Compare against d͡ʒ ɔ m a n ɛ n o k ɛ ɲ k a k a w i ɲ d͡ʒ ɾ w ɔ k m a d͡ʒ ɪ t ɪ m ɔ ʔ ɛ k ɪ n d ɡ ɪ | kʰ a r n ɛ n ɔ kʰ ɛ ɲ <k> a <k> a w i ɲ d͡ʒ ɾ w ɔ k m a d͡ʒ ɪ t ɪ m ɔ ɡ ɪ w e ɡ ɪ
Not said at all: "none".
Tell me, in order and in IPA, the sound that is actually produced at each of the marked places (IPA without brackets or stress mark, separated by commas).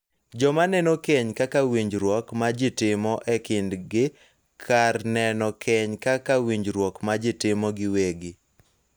k, k